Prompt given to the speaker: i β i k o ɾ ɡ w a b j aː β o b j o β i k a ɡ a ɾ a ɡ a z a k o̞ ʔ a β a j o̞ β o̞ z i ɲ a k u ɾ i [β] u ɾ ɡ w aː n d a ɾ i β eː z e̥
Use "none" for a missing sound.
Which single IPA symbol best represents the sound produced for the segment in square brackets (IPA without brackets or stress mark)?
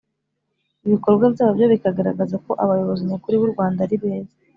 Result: β